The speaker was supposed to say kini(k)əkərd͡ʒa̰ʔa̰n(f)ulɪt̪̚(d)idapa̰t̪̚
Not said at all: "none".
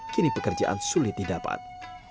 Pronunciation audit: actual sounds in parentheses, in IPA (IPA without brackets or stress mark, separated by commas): p, s, d